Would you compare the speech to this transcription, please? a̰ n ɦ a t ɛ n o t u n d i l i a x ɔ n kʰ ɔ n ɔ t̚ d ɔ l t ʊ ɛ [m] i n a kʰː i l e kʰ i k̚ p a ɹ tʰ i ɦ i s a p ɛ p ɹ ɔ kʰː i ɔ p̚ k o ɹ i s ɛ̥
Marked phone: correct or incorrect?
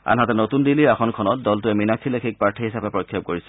correct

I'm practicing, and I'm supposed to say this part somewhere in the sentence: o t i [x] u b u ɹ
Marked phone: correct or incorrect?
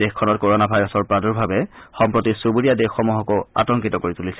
incorrect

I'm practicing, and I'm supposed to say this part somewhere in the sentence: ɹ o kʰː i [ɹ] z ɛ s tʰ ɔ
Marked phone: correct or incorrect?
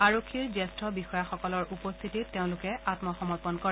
correct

